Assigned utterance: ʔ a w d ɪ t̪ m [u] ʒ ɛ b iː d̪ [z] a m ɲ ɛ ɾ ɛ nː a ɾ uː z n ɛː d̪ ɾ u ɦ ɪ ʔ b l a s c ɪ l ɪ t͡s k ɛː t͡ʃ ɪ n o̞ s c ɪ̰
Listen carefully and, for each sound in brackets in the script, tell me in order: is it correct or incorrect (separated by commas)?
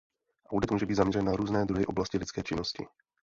incorrect, correct